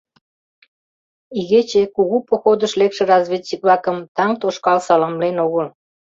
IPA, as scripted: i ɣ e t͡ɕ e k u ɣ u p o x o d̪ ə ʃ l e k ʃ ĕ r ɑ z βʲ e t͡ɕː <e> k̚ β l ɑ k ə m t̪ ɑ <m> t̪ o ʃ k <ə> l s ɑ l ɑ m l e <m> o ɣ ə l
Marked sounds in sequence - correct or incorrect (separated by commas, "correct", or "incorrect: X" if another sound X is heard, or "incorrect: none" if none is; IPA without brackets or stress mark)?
incorrect: i, incorrect: ŋ, incorrect: ɑ, incorrect: n